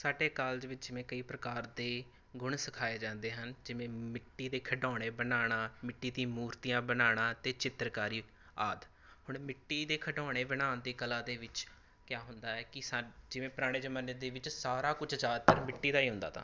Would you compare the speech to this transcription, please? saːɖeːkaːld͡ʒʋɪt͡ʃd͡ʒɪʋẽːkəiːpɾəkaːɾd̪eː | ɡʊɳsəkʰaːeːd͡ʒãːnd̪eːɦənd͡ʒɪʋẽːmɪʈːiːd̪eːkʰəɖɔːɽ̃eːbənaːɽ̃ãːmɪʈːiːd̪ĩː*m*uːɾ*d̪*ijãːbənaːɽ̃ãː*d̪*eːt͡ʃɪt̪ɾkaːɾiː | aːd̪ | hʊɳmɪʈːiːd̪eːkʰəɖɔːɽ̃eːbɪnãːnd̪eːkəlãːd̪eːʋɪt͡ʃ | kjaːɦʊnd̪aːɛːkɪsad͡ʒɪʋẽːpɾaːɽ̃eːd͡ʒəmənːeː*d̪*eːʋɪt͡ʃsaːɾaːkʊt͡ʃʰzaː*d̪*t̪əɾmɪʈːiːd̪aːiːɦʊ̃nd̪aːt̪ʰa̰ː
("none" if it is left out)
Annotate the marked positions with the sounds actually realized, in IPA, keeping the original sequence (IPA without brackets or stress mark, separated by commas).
m, t̪, t̪, d̪, d̪